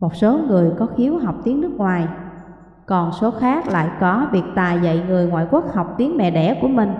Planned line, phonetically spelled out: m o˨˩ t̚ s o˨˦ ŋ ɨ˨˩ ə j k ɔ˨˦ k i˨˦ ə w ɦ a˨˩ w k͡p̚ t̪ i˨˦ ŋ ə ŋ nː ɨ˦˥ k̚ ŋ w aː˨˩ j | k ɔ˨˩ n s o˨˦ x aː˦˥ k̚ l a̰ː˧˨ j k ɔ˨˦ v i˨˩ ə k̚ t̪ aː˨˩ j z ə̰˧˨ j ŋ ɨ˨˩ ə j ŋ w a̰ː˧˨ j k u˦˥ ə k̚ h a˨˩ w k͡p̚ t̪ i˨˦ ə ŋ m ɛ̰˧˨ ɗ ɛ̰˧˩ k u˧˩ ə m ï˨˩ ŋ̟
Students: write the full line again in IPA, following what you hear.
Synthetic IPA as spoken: m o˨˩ t̚ s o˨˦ ŋ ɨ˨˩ ə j k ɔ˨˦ x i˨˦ ə w ɦ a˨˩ w k͡p̚ t̪ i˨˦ ə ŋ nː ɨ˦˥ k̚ ŋ w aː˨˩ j | k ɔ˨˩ n s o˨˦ x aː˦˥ k̚ l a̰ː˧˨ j k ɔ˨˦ v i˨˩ ə k̚ t̪ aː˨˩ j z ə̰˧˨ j ŋ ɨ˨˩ ə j ŋ w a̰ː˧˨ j k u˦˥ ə k̚ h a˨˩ w k͡p̚ t̪ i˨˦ ə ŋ m ɛ̰˧˨ ɗ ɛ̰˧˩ k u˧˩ ə m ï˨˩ ŋ̟